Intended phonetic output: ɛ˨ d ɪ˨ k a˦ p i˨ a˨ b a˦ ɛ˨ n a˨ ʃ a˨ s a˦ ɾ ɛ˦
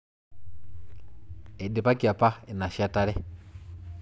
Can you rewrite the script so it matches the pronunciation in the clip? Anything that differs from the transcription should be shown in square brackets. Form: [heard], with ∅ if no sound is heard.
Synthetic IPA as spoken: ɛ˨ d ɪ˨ [p] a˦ [k] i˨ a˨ [p] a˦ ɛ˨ n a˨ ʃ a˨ [t] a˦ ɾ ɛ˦